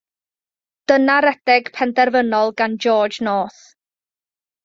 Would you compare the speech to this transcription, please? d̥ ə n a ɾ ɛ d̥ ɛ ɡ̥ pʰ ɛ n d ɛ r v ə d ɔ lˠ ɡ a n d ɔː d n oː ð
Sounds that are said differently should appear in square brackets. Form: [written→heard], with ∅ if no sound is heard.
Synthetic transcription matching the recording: d̥ ə n a ɾ ɛ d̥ ɛ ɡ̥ pʰ ɛ n d ɛ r v ə [d→n] ɔ lˠ ɡ a n [d→d͡ʒ] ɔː [d→d͡ʒ] n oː [ð→θ]